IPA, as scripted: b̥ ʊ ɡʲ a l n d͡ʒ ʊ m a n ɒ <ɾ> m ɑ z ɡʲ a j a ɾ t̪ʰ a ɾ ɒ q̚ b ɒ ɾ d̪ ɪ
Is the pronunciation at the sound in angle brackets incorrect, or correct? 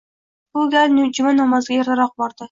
incorrect